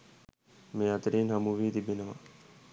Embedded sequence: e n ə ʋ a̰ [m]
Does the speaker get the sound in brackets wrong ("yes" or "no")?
yes